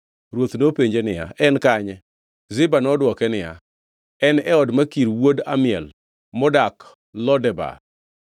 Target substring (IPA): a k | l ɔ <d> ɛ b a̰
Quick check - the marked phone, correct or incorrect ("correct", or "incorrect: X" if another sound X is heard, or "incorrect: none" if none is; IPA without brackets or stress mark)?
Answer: correct